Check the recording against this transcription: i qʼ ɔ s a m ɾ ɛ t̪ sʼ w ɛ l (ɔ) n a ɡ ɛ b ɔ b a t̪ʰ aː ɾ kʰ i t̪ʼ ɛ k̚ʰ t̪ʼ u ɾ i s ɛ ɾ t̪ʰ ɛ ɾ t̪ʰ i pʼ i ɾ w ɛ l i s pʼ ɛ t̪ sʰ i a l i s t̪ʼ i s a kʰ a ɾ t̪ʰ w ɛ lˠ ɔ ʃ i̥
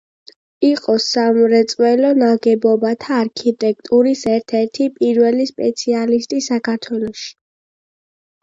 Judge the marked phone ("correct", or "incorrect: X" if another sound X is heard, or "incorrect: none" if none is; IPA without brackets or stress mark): correct